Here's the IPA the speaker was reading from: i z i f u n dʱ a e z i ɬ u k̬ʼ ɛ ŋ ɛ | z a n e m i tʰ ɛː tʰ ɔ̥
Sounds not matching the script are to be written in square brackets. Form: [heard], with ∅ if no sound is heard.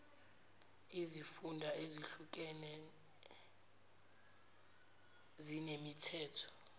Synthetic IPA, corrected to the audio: i z i f u n dʱ a e z i ɬ u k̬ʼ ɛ [n] ɛ | z [i] n e m i tʰ ɛː tʰ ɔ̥